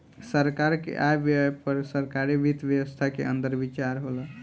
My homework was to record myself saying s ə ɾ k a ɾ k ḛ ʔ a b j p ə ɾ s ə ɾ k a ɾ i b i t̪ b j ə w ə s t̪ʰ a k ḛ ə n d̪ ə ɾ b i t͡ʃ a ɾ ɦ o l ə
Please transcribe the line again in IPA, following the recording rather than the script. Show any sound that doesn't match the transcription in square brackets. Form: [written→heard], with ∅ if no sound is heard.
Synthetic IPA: s ə ɾ k a ɾ k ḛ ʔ a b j p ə ɾ s ə ɾ k a ɾ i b i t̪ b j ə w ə s t̪ʰ a k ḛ ə n d̪ ə ɾ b i t͡ʃ a ɾ ɦ o l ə

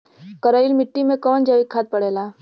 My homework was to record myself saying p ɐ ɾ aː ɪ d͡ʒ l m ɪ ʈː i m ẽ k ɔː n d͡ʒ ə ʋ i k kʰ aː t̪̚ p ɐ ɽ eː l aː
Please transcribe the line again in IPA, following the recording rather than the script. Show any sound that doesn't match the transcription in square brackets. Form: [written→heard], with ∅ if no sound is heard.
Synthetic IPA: [p→k] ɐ ɾ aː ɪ [d͡ʒ→∅] l m ɪ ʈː i m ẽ k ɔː n d͡ʒ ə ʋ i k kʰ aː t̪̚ p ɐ ɽ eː l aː

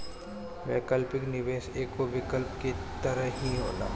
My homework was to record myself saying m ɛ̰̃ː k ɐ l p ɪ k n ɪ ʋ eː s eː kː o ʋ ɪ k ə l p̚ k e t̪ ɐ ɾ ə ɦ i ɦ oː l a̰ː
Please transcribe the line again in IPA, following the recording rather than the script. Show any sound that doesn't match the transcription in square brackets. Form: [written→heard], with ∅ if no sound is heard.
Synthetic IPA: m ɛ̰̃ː k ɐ l p ɪ k n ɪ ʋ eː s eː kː o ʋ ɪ k ə l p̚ k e t̪ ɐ ɾ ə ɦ i ɦ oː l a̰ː

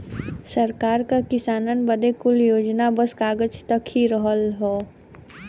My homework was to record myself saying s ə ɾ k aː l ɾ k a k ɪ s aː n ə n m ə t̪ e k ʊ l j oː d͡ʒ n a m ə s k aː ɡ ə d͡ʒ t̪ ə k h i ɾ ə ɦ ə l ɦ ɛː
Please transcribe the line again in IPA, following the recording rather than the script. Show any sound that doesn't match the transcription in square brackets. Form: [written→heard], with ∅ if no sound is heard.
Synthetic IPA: s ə ɾ k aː [l→∅] ɾ k a k ɪ s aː n ə n [m→b] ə [t̪→d̪] e k ʊ l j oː d͡ʒ n a [m→b] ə s k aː ɡ ə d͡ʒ t̪ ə k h i ɾ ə ɦ ə l ɦ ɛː

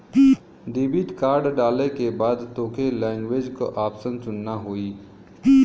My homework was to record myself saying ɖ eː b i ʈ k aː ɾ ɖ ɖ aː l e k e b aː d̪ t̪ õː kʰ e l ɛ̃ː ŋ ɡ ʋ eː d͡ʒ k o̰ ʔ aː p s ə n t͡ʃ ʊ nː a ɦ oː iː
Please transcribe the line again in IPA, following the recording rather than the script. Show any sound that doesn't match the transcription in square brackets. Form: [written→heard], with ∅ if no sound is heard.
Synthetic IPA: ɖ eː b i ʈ k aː ɾ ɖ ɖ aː l e k e b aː d̪ t̪ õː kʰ e l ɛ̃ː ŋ ɡ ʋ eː d͡ʒ k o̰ ʔ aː p s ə n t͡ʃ ʊ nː a ɦ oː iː

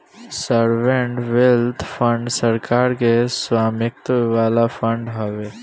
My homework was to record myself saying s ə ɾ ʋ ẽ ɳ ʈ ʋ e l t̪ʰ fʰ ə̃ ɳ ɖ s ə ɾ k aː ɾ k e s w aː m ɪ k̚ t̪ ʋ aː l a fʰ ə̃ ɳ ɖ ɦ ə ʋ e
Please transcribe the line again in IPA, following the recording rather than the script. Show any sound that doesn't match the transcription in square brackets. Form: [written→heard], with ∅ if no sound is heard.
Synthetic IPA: s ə ɾ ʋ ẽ ɳ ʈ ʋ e l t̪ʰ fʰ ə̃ ɳ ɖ s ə ɾ k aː ɾ k e s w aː m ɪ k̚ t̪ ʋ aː l a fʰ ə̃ ɳ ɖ ɦ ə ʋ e

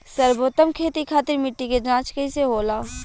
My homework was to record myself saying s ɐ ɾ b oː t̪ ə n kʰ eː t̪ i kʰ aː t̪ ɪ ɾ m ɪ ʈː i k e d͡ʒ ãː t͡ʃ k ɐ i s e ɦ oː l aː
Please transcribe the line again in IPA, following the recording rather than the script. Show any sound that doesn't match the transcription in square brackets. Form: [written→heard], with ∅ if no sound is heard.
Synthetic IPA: s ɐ ɾ b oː t̪ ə [n→m] kʰ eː t̪ i kʰ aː t̪ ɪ ɾ m ɪ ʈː i k e d͡ʒ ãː t͡ʃ k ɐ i s e ɦ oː l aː

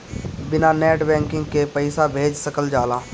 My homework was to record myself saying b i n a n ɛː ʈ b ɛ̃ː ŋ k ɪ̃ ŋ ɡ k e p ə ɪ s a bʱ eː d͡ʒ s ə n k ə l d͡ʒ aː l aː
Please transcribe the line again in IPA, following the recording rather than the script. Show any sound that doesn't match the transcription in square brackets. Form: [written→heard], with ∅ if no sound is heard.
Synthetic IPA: b [i→ɪ] n a n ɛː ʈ b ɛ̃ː ŋ k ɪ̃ ŋ ɡ k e p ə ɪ s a bʱ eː d͡ʒ s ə [n→∅] k ə l d͡ʒ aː l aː

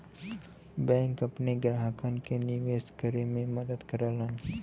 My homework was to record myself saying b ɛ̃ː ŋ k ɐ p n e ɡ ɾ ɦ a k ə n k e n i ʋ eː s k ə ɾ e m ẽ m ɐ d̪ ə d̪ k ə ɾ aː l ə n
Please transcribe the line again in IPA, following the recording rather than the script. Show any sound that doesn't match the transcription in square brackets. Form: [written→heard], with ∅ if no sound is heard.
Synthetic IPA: b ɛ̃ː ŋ k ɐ p n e ɡ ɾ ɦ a k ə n k e n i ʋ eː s k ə ɾ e m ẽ m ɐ d̪ ə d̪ k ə ɾ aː l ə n

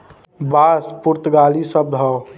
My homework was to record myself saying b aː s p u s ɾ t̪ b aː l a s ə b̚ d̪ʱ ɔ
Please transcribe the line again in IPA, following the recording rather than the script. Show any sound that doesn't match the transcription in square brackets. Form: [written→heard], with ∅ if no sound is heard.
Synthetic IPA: b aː s p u [s→∅] ɾ t̪ [b→ɡ] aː l [a→i] s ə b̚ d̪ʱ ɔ

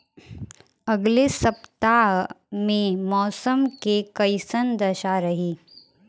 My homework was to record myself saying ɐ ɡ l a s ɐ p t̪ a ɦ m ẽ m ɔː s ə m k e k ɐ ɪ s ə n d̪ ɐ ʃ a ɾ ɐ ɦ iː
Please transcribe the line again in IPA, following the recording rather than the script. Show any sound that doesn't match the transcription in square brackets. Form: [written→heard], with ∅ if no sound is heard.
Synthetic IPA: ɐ ɡ l [a→e] s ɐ p t̪ a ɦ m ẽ m ɔː s ə m k e k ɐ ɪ s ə n d̪ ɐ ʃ a ɾ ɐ ɦ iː

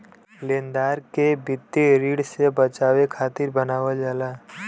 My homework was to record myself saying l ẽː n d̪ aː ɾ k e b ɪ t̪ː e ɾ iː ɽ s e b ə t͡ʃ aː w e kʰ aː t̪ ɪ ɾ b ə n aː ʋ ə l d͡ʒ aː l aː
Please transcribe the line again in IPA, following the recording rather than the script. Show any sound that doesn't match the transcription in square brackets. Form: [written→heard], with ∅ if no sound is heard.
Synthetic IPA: l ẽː n d̪ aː ɾ k e b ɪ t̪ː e ɾ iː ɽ s e b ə t͡ʃ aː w e kʰ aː t̪ ɪ ɾ b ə n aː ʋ ə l d͡ʒ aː l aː

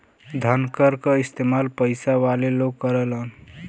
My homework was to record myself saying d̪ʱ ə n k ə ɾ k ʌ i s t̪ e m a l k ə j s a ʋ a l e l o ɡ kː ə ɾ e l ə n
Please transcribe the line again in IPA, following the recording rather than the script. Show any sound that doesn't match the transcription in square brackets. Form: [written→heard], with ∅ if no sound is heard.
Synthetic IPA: d̪ʱ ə n k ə ɾ k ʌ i s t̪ e m a l [k→p] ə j s a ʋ a l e l o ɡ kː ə ɾ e l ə n

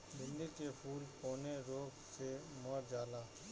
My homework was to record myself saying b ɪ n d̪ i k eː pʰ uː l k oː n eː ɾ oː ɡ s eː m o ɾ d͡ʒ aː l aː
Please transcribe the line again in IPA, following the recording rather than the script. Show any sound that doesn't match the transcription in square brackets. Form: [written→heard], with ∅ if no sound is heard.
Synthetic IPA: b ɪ n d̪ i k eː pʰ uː l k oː n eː ɾ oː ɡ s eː m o ɾ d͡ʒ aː l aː

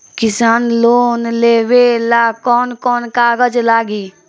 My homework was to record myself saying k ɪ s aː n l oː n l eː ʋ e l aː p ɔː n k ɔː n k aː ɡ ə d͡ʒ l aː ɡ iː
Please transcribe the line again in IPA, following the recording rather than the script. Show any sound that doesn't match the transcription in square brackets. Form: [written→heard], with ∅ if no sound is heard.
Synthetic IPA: k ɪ s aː n l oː n l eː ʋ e l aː [p→k] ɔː n k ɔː n k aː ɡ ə d͡ʒ l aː ɡ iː

